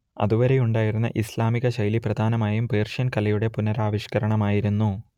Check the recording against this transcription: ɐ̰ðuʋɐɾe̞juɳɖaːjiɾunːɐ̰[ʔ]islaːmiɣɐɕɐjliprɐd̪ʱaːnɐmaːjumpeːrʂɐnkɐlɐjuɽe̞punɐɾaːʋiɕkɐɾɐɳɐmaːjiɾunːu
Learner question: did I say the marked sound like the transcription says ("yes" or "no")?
yes